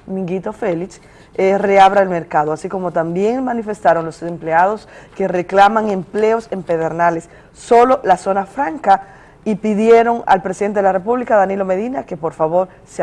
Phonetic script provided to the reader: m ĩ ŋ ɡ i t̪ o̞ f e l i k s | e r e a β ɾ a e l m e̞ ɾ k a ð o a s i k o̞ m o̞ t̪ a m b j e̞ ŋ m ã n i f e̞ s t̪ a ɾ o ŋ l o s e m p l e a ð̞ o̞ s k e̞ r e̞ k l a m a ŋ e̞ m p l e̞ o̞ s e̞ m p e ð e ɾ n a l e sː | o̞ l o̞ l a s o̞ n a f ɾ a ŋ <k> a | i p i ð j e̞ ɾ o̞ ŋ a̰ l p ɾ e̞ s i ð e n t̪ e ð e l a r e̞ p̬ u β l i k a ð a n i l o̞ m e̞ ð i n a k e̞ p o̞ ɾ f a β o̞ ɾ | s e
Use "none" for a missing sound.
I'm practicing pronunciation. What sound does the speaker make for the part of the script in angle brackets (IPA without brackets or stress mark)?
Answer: k